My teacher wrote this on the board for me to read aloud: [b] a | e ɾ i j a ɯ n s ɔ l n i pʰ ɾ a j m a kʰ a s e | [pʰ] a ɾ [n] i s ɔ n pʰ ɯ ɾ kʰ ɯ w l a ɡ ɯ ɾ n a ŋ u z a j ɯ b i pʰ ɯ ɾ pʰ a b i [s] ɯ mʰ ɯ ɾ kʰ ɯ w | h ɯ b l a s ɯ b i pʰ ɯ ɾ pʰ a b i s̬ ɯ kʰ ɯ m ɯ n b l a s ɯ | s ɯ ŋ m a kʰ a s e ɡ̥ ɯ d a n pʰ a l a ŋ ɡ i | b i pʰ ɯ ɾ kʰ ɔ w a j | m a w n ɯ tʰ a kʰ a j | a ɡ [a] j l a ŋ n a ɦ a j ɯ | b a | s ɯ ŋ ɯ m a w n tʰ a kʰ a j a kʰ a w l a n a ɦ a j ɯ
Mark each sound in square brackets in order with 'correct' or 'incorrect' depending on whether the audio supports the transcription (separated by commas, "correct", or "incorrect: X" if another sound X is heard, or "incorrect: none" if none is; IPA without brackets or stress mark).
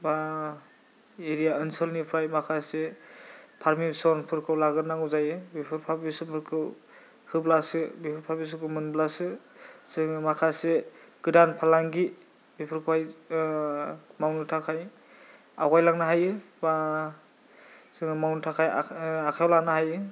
correct, correct, incorrect: m, correct, correct